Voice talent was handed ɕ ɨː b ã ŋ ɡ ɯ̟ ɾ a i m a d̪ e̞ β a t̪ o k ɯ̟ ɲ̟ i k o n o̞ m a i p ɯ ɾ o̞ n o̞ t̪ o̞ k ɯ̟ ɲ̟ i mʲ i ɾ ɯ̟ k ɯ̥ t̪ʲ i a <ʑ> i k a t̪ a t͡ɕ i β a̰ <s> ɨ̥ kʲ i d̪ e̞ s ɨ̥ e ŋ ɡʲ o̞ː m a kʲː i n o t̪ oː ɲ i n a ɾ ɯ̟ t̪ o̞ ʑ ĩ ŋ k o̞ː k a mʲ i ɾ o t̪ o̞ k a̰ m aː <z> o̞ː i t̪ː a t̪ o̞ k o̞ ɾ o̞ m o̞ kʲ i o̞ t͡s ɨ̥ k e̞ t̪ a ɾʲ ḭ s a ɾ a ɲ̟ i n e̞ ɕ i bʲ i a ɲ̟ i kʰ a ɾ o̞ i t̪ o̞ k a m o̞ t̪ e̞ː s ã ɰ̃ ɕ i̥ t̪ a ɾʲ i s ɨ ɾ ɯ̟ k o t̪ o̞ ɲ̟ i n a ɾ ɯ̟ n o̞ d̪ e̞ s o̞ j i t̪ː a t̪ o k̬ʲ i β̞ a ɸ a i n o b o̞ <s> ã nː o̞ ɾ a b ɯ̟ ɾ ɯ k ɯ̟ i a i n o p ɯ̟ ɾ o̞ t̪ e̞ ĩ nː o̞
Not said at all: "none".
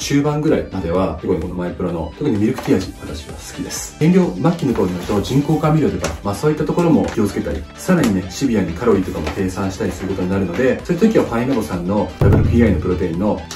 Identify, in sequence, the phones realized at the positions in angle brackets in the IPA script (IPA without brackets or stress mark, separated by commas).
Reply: ʑ, s, s, s